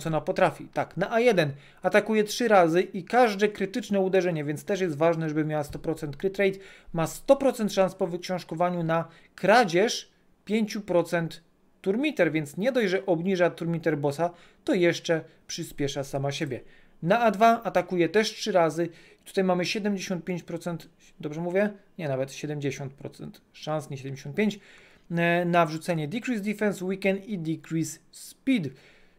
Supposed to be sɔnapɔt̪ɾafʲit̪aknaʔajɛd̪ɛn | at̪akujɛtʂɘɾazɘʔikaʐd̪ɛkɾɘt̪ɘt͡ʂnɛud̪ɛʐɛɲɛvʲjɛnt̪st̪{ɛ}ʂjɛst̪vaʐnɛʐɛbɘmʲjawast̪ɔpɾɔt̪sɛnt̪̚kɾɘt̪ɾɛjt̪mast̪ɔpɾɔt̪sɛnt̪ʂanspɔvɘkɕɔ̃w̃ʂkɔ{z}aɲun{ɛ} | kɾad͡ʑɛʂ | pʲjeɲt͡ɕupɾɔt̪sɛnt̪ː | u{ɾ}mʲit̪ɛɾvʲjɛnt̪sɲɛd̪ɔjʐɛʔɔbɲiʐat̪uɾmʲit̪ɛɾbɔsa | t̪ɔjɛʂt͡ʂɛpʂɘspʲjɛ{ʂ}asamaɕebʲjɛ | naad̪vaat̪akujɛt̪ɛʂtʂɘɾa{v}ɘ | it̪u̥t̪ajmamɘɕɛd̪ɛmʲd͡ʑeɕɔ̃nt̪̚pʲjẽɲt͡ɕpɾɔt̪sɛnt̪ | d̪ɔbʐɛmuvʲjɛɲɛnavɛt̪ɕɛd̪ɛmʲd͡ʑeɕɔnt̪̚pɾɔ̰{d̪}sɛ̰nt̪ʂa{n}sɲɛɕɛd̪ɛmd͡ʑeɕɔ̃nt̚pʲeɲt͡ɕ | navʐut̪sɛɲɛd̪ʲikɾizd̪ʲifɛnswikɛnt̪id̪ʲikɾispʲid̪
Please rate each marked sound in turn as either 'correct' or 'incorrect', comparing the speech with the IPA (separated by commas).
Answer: correct, incorrect, incorrect, correct, correct, incorrect, incorrect, correct